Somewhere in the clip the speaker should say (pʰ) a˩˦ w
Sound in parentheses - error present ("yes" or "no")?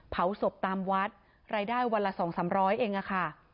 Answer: no